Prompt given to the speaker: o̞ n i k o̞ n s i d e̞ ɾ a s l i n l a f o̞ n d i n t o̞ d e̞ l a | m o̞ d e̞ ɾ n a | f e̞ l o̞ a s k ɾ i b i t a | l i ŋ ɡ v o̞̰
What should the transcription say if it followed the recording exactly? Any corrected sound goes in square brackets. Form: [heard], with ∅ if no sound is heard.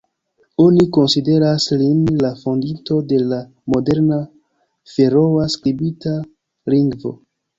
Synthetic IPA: o̞ n i k o̞ n s i d e̞ ɾ a s l i n l a f o̞ n d i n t o̞ d e̞ l a | m o̞ d e̞ ɾ n a | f e̞ [ɾ] o̞ a s k ɾ i b i t a | l i ŋ ɡ v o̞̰